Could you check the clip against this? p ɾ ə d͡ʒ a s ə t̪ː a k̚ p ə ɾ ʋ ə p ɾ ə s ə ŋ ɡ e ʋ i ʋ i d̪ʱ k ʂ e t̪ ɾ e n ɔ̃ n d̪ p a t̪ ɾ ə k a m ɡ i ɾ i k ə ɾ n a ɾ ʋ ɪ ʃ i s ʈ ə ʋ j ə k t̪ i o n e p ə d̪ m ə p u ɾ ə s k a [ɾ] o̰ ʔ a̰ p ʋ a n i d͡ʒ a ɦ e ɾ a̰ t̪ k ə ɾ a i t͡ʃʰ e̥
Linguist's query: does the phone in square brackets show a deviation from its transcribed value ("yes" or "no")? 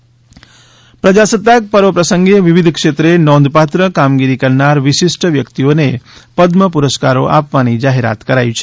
no